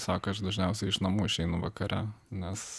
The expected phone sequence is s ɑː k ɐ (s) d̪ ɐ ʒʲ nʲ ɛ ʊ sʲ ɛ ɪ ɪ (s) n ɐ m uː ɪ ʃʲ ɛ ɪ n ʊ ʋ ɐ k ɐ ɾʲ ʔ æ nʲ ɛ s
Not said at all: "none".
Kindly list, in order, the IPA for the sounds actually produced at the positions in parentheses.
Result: ʃ, ʃ

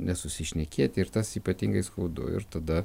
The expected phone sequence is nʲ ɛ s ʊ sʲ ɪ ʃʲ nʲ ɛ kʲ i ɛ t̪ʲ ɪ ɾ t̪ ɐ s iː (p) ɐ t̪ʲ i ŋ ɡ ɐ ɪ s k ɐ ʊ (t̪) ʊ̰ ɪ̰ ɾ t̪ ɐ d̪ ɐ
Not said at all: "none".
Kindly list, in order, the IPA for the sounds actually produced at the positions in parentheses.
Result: p, d̪

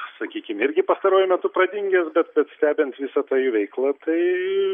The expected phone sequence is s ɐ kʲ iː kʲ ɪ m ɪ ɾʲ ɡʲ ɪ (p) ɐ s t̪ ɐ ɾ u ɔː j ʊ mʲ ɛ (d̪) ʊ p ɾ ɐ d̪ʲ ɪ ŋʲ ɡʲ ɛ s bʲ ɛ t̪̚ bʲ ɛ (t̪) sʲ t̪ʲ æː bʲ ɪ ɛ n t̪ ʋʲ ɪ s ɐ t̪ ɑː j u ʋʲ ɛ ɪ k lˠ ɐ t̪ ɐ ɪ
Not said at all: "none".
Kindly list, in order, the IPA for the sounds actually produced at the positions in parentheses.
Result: p, t̪, t̪

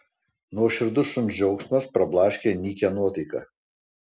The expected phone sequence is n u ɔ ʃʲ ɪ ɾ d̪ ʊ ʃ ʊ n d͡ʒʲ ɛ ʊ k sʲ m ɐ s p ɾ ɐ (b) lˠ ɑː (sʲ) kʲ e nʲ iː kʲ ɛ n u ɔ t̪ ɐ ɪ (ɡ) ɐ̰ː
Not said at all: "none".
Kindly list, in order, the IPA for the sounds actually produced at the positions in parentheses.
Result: b, ʃʲ, k

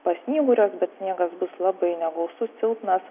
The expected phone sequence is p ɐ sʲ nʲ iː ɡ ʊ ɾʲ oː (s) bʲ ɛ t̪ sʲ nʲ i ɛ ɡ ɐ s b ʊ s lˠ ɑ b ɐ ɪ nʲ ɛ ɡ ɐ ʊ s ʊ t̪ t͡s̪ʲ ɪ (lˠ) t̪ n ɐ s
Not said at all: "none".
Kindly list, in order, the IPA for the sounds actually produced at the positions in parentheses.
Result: s, lˠ

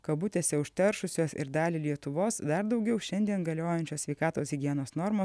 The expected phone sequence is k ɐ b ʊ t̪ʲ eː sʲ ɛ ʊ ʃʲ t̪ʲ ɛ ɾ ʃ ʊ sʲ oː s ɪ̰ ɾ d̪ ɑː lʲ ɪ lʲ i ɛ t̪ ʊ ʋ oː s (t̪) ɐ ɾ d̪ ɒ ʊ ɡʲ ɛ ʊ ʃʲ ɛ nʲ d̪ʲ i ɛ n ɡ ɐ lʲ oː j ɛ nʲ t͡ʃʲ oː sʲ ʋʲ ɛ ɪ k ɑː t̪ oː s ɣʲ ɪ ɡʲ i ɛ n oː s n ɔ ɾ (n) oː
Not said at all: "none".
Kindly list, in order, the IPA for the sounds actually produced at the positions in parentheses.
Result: d̪, m

